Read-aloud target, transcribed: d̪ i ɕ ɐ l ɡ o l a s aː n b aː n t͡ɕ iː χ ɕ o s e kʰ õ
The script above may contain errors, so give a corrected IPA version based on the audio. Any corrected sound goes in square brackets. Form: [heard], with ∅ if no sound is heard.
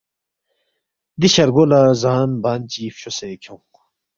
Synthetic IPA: d̪ i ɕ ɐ [ɾ] ɡ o l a [z] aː n b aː n t͡ɕ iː [f] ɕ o s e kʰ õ